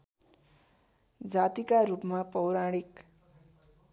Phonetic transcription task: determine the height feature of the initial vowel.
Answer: low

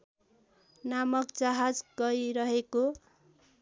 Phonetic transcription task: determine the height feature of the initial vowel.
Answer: low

